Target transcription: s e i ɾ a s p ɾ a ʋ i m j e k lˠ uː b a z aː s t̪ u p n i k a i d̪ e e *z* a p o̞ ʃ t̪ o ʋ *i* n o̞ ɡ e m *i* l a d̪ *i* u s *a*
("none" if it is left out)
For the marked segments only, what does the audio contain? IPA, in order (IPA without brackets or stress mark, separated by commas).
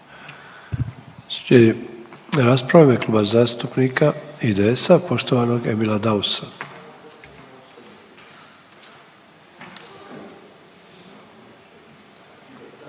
s, a, i, a, a